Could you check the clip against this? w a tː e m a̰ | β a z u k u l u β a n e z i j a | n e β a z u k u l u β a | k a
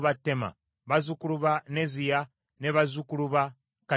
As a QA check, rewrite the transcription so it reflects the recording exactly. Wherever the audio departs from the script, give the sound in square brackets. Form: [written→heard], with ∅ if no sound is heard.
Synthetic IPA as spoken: [w→β] a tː e m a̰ | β a z u k u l u β a n e z i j a | n e β a z u k u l u β a | k a

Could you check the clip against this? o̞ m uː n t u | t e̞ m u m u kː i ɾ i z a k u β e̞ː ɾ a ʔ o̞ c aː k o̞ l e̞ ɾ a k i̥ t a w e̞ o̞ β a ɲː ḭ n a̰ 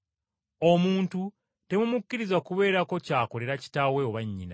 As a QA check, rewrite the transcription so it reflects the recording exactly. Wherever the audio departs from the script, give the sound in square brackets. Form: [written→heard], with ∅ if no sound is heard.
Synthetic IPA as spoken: o̞ m uː n t u | t e̞ m u m u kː i ɾ i z a k u β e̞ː ɾ a [ʔ→k] o̞ c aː k o̞ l e̞ ɾ a [k→c] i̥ t a w e̞ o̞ β a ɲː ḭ n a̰

